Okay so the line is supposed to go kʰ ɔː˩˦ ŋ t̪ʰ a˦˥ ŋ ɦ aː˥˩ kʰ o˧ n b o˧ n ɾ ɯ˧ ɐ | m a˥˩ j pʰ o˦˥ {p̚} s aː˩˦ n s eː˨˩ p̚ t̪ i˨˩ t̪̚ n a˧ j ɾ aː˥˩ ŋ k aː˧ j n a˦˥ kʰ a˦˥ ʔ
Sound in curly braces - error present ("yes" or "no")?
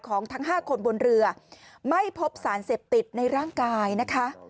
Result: no